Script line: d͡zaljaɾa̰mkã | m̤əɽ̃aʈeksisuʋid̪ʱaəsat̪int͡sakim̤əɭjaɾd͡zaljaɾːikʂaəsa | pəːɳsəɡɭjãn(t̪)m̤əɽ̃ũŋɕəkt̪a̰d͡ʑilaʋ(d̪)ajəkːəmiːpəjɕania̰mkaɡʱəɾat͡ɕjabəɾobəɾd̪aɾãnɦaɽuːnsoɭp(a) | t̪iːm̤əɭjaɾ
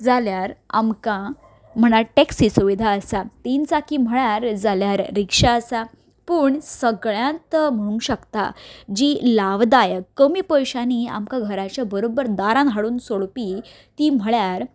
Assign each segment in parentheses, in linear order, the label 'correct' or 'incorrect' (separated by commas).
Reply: correct, correct, incorrect